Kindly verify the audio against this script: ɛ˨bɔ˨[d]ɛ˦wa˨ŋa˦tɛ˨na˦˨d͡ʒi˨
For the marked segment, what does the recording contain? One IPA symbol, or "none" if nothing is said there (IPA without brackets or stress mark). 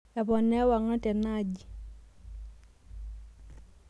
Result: n